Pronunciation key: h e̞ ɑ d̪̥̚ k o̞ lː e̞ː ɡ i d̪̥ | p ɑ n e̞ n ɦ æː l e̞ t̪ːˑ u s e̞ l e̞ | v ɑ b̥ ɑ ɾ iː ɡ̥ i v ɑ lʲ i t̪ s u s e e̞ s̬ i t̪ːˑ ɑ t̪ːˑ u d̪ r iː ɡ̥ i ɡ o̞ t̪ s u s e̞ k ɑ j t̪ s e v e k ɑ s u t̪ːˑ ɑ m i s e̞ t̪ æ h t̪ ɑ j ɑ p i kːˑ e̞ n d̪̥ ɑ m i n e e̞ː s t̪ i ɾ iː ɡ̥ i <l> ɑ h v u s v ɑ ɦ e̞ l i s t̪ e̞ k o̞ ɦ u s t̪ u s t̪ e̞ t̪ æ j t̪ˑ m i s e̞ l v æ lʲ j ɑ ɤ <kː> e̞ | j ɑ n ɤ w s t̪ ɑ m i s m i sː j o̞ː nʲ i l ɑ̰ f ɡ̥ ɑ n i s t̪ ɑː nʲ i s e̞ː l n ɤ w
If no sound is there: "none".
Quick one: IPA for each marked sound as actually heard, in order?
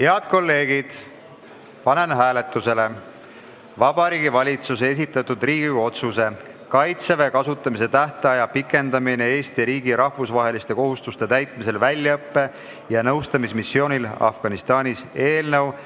ɾ, pː

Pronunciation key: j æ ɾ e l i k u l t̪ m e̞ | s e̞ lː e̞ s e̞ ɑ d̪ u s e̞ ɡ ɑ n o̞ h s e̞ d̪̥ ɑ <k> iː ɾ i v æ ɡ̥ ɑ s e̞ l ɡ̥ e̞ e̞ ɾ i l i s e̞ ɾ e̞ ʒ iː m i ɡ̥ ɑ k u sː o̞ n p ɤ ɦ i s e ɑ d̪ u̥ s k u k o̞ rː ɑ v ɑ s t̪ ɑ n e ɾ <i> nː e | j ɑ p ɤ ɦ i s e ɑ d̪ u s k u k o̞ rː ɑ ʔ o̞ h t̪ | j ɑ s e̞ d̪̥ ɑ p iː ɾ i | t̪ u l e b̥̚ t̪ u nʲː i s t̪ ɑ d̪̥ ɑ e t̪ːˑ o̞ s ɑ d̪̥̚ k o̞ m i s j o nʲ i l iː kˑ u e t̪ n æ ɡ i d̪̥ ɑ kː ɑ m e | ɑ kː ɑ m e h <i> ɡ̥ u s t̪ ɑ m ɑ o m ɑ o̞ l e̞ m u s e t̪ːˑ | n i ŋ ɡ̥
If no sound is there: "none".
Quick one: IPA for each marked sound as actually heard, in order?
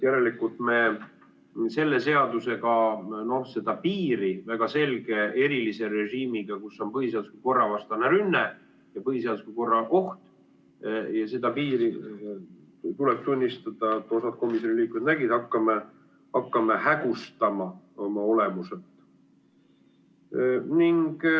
p, y, æ

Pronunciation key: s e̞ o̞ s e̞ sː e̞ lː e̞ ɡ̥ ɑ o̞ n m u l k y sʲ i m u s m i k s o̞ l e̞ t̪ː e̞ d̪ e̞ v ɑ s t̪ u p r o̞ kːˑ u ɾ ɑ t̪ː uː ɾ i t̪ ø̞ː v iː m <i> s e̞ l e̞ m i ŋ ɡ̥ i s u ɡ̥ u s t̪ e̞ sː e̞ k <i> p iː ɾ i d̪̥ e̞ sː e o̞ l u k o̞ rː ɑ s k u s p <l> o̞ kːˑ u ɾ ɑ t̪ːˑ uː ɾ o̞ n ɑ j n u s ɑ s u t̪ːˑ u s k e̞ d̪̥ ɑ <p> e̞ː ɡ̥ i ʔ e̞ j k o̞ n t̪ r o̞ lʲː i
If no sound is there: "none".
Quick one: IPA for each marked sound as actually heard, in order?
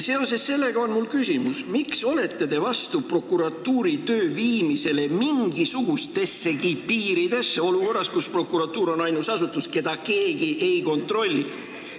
i, i, r, k

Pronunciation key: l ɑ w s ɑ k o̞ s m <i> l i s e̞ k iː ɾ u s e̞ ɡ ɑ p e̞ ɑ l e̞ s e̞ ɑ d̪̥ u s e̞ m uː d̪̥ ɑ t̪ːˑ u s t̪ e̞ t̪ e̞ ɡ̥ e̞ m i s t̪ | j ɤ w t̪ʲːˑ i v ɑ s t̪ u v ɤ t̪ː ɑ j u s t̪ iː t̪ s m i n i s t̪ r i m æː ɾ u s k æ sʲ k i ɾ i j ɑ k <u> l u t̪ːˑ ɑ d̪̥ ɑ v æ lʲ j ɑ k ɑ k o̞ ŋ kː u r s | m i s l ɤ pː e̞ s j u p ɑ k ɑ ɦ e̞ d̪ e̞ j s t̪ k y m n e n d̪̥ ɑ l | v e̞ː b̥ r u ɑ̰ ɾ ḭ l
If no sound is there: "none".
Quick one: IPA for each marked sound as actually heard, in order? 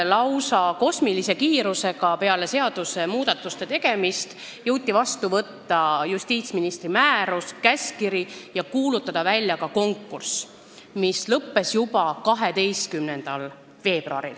i, uː

